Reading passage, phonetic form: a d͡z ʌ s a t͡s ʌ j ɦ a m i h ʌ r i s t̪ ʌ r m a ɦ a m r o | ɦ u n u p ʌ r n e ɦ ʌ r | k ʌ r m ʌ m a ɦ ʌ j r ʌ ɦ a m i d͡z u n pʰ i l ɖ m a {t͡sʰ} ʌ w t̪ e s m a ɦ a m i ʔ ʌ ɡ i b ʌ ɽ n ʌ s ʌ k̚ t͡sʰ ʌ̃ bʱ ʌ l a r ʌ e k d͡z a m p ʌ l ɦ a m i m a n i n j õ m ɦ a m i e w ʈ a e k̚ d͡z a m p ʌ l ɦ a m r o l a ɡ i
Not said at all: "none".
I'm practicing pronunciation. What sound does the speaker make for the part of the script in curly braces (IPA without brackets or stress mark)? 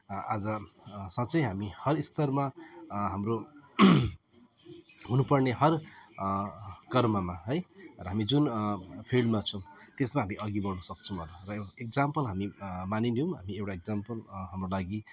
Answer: t͡sʰ